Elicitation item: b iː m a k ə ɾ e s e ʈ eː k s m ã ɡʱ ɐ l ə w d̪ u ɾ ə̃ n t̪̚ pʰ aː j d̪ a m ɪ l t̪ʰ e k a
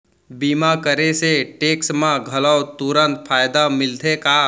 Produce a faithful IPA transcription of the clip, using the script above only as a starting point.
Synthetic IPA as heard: b iː m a k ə ɾ e s e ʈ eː k s m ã ɡʱ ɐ l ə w t̪ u ɾ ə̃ n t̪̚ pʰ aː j d̪ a m ɪ l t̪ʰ e k a

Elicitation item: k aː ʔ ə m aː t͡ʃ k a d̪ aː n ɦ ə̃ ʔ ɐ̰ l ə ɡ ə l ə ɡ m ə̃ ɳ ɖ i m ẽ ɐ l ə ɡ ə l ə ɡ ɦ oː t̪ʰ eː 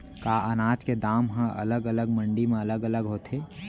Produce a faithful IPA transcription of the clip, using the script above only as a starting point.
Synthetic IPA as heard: k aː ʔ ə n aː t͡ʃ k e d̪ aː m ɦ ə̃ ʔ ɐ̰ l ə ɡ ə l ə ɡ m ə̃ ɳ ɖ i m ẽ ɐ l ə ɡ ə l ə ɡ ɦ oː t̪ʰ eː

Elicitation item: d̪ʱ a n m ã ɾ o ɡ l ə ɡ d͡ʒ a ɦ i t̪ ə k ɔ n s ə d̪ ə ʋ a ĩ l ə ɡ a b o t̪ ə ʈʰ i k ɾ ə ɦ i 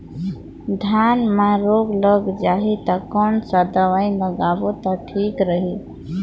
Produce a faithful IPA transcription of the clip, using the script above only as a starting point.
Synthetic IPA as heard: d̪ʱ a n m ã ɾ o ɡ l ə ɡ d͡ʒ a ɦ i t̪ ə k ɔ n s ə d̪ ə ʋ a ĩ l ə ɡ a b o t̪ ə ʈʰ i k ɾ ə ɦ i

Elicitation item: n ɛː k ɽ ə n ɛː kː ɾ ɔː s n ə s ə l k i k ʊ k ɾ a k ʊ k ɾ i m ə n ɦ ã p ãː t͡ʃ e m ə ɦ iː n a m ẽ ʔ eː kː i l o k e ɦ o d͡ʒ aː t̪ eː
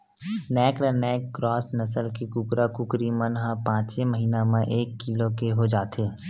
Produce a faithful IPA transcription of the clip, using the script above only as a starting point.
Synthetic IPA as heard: n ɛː k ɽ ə n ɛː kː ɾ ɔː s n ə s ə l k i k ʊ k ɾ a k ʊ k ɾ i m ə n ɦ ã p ãː t͡ʃ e m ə ɦ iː n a m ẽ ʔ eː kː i l o k e ɦ o d͡ʒ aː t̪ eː

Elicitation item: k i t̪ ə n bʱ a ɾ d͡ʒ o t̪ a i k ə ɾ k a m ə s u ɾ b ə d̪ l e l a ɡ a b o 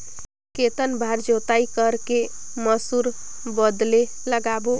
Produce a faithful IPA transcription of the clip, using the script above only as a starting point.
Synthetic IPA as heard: k e t̪ ə n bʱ a ɾ d͡ʒ o t̪ a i k ə ɾ k e m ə s u ɾ b ə d̪ l e l ə ɡ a b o

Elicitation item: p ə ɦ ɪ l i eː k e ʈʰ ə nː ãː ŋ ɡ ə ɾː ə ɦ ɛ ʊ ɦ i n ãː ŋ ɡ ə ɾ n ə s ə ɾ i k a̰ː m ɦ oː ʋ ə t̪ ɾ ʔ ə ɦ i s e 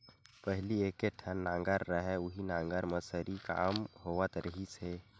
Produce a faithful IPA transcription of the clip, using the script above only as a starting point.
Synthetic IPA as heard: p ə ɦ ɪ l i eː k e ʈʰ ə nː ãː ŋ ɡ ə ɾː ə ɦ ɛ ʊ ɦ i n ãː ŋ ɡ ə ɾ m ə s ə ɾ i k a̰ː m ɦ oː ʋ ə t̪ ɾ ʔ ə ɦ i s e

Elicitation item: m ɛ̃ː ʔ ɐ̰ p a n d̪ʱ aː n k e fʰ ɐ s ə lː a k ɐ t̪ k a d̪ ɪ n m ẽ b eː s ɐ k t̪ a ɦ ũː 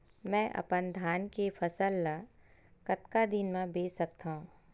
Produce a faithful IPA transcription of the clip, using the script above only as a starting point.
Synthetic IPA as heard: m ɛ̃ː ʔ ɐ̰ p ə n d̪ʱ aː n k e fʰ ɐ s ə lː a k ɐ t̪ k a d̪ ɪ n m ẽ b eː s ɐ k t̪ a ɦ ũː

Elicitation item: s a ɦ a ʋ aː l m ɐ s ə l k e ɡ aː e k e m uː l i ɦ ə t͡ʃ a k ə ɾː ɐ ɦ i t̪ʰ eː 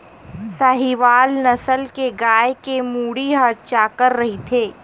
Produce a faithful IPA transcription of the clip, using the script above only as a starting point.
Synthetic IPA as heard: s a ɦ i ʋ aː l n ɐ s ə l k e ɡ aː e k e m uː ɽ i ɦ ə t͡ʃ a k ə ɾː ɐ ɦ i t̪ʰ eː

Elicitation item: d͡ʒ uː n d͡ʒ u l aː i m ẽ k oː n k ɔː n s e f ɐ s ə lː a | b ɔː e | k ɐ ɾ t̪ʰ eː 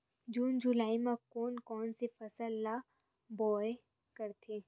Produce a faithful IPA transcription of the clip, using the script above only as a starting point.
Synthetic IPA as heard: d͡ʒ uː n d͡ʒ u l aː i m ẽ k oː n k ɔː n s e f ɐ s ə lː a | b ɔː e | k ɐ ɾ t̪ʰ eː

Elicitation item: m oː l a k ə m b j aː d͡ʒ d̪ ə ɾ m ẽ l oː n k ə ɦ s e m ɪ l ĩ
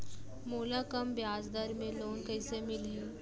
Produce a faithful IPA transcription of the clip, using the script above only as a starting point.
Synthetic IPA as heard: m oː l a k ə m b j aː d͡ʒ d̪ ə ɾ m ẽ l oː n k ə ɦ s e m ɪ l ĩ

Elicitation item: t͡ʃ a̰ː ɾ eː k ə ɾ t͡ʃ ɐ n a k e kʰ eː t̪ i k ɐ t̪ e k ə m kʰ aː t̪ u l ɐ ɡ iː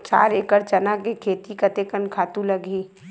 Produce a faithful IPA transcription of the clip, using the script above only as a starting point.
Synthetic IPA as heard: t͡ʃ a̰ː ɾ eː k ə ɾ t͡ʃ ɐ n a k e kʰ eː t̪ i k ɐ t̪ e k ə n kʰ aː t̪ u l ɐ ɡ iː

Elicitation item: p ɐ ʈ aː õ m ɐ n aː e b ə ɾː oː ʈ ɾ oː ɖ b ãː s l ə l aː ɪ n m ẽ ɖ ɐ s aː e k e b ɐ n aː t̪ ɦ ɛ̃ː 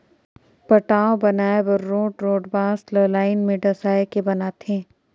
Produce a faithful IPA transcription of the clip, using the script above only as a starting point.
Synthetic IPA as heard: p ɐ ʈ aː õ b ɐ n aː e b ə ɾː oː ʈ ɾ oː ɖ b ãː s l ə l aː ɪ n m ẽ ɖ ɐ s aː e k e b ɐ n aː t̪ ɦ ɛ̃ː

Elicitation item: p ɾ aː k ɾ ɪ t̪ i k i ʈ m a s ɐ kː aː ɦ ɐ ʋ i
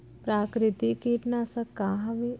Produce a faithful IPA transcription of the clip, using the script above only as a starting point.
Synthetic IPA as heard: p ɾ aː k ɾ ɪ t̪ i k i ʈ n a s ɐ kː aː ɦ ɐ ʋ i

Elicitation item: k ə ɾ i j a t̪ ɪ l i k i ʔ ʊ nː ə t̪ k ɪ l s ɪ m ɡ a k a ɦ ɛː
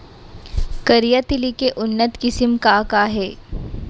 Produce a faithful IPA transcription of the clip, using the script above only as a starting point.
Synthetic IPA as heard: k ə ɾ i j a t̪ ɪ l i k e ʔ ʊ nː ə t̪ k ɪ s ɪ m k a k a ɦ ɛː

